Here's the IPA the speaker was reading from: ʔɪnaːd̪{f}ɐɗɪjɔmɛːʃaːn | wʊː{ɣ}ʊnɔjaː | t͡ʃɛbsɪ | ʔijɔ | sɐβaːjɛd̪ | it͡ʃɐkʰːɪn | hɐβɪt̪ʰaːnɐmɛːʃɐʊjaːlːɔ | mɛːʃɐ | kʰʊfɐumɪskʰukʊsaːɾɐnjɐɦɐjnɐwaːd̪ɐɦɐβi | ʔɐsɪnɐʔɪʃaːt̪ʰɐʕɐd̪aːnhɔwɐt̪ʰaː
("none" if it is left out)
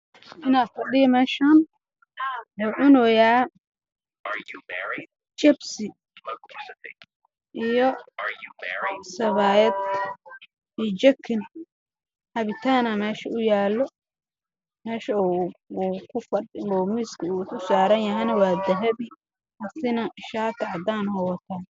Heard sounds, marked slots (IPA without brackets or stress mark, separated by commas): f, ʕ